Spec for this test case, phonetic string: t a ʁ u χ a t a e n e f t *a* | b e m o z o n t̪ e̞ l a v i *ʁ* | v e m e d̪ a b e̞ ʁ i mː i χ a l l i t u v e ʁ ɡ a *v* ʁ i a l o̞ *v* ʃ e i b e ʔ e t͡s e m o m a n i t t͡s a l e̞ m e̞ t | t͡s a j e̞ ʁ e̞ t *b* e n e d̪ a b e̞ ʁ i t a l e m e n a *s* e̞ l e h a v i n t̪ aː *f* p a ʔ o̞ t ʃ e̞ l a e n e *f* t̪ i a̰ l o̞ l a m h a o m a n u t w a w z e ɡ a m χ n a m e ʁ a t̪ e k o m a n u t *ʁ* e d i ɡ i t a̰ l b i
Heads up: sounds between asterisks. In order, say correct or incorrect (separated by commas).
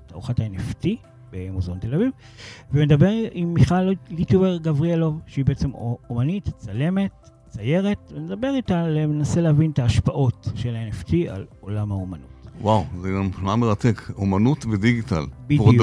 incorrect, incorrect, correct, correct, incorrect, correct, incorrect, correct, incorrect